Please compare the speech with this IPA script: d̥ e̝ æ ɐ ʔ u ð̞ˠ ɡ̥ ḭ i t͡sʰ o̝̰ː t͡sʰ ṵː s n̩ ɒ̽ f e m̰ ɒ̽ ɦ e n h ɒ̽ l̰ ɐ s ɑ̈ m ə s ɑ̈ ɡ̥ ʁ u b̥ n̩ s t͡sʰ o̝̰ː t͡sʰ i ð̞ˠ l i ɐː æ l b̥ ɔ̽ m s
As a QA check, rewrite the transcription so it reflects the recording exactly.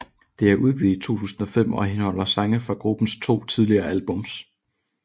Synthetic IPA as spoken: d̥ e̝ æ ɐ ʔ u ð̞ˠ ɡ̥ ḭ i t͡sʰ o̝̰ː t͡sʰ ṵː s n̩ ɒ̽ f e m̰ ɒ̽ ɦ e n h ɒ̽ l̰ ɐ s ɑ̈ ŋ ə f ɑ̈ ɡ̥ ʁ u b̥ n̩ s t͡sʰ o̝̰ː t͡sʰ i ð̞ˠ l i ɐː æ l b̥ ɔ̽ m s